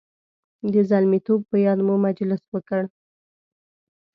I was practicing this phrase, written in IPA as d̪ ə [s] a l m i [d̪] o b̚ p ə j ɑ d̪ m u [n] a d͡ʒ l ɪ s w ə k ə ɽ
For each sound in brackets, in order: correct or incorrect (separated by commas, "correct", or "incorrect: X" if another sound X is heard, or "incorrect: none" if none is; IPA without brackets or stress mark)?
incorrect: z, incorrect: t̪, incorrect: m